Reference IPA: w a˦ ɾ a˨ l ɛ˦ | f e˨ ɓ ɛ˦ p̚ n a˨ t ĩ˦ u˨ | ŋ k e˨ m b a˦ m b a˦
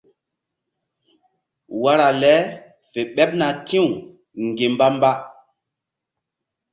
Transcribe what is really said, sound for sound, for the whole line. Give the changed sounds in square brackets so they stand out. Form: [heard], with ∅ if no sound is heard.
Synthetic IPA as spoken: w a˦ ɾ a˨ l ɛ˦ | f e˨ ɓ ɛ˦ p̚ n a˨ t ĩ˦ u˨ | ŋ [ɡ] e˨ m b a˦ m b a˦

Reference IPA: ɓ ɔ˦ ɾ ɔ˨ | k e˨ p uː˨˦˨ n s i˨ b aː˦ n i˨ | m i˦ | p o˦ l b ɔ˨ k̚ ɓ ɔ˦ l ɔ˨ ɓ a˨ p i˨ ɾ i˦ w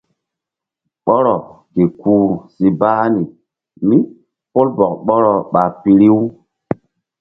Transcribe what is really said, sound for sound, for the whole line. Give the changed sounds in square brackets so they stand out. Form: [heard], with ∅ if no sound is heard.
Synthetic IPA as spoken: ɓ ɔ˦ ɾ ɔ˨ | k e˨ [k] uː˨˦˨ [∅] s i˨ b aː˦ n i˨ | m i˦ | p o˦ l b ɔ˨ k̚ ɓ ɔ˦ [ɾ] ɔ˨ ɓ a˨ p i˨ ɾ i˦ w

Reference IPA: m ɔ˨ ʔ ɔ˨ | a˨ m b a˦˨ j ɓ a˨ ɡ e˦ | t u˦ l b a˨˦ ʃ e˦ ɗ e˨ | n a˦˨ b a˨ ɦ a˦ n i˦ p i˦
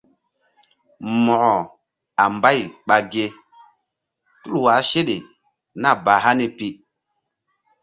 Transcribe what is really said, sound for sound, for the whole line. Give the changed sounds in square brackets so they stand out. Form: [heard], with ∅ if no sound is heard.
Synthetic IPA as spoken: m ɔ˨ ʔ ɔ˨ | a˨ m b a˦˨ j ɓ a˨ ɡ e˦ | t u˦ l [w] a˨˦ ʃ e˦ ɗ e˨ | n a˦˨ b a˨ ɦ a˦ n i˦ p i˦

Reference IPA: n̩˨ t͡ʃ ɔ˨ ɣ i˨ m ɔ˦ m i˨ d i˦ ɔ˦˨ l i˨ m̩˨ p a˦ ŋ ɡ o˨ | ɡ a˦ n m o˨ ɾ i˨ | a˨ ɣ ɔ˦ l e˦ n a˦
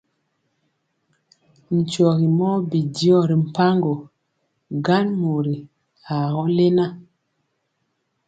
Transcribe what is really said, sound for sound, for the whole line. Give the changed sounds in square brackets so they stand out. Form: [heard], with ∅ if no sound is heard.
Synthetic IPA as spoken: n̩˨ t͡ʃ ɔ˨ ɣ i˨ m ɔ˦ [b] i˨ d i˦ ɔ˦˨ [ɾ] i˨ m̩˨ p a˦ ŋ ɡ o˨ | ɡ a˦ n m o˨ ɾ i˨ | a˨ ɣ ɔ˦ l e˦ n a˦

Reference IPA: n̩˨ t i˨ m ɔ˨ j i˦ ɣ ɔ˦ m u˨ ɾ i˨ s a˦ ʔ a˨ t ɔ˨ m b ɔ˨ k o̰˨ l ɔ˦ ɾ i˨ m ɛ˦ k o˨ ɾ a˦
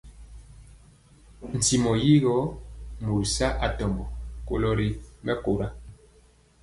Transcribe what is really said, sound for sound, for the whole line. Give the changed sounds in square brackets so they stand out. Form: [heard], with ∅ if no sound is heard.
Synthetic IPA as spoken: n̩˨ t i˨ m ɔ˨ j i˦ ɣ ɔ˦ m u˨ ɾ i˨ s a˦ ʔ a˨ t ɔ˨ m b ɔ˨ k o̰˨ l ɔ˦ ɾ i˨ m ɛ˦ k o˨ ɾ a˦

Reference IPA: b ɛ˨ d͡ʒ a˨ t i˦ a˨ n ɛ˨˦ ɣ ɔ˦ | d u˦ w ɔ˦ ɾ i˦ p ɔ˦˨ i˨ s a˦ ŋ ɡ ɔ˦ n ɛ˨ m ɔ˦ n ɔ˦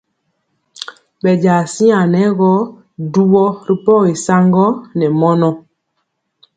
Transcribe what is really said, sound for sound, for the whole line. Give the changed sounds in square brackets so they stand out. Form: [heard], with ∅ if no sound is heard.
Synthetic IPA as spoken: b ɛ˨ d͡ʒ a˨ [s] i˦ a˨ n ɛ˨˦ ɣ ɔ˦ | d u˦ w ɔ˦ ɾ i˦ p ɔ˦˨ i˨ s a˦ ŋ ɡ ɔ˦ n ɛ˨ m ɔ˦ n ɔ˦

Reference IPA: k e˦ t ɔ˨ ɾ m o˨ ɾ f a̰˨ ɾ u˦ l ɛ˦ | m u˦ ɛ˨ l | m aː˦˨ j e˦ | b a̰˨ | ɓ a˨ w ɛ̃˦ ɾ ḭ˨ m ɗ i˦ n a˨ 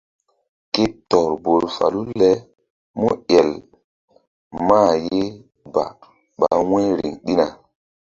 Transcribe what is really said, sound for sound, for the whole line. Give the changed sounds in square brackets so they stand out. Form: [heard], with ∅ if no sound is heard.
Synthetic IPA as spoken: k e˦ t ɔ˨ ɾ [b] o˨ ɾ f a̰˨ [l] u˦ l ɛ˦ | m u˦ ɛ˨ l | m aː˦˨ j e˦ | b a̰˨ | ɓ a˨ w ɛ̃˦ ɾ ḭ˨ [ŋ] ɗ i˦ n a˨

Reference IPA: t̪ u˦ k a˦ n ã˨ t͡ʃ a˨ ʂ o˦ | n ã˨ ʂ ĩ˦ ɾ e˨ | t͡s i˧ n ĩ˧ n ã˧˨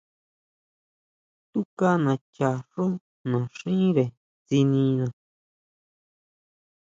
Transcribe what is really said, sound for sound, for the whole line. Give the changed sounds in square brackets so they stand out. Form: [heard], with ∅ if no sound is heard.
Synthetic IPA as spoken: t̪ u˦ k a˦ n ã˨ t͡ʃ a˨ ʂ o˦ | n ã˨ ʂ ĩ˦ ɾ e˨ | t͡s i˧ n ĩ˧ n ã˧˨

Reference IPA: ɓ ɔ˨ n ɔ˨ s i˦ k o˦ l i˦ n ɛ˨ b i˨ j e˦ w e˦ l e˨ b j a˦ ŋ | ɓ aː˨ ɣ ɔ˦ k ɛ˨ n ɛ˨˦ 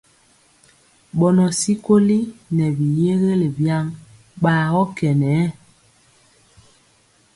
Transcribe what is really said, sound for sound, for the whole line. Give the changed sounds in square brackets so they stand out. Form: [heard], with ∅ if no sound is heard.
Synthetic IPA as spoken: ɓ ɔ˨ n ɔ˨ s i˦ k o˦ l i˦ n ɛ˨ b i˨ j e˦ [ɣ] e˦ l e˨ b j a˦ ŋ | ɓ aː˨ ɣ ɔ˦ k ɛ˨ n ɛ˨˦

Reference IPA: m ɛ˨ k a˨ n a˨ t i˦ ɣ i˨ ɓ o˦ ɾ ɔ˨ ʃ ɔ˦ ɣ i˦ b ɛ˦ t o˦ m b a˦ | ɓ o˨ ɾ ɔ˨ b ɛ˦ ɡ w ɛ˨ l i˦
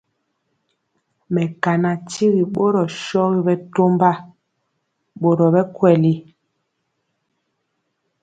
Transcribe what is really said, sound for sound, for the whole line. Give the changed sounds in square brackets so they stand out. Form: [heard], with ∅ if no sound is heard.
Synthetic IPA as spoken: m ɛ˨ k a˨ n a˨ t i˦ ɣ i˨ ɓ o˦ ɾ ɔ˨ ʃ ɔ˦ ɣ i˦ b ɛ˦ t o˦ m b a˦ | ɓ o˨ ɾ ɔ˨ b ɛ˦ [k] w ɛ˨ l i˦

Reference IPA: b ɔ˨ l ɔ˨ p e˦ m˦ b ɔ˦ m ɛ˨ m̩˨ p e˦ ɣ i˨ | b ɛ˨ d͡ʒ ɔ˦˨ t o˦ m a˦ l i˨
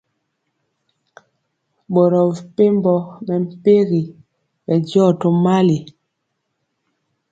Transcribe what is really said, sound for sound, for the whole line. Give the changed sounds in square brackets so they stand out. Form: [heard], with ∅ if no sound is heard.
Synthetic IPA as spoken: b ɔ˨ [ɾ] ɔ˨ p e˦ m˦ b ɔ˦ m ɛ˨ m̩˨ p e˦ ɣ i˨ | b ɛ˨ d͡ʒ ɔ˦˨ t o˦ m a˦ l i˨

